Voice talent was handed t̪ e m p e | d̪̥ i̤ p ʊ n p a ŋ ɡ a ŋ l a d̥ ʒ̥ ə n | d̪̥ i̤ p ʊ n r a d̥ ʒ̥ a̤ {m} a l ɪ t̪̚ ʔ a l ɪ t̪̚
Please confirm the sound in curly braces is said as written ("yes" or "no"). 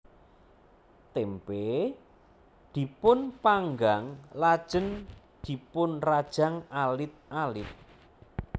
no